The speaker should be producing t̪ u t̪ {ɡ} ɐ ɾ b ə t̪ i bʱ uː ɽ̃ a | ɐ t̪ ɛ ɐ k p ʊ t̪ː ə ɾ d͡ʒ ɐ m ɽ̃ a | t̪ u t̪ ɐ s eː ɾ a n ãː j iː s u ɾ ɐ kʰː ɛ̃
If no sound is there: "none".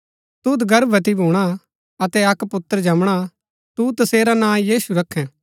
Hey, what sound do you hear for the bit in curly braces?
ɡ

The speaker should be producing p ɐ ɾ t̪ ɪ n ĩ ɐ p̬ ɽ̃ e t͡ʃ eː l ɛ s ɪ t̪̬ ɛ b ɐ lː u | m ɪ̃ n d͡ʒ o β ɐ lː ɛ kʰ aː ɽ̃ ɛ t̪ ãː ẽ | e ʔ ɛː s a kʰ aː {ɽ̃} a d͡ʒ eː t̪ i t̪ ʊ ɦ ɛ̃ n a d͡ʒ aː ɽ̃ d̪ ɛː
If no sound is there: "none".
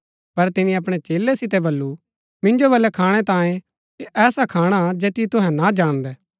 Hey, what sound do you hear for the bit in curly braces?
ɽ̃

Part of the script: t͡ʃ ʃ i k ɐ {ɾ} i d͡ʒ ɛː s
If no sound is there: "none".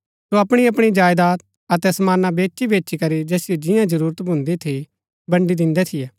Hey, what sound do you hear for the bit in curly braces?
ɾ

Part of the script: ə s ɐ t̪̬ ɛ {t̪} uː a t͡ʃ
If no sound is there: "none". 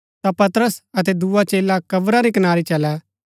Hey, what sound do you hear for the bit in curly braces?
d̪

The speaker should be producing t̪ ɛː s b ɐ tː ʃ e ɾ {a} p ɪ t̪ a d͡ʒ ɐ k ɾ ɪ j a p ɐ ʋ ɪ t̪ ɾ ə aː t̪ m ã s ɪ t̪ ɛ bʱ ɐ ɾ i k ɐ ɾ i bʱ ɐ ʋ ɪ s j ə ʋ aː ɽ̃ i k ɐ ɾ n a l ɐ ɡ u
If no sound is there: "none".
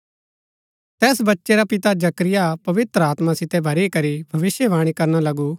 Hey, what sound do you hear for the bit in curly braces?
a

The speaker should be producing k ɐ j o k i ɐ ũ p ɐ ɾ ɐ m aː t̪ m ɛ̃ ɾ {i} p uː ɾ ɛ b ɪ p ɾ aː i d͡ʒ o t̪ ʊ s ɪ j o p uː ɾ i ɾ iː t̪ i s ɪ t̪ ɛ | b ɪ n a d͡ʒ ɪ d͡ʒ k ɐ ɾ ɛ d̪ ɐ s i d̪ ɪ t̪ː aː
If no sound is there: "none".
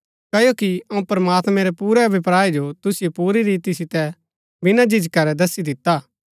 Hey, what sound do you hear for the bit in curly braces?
ɛ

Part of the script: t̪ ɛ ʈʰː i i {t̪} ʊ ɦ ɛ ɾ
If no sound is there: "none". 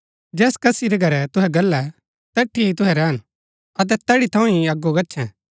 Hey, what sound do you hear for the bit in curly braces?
t̪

